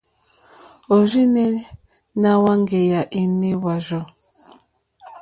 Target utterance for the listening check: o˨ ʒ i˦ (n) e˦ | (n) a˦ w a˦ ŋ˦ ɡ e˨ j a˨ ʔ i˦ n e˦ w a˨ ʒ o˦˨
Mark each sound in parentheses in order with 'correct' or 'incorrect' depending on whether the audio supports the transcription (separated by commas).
correct, correct